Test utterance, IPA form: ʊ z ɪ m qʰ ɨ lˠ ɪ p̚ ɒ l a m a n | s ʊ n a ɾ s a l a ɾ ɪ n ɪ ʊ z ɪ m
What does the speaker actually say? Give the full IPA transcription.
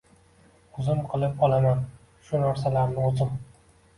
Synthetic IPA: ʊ z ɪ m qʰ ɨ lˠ ɪ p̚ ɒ l a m a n | ʃ ʊ n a ɾ s a l a ɾ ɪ n ɪ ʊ z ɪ m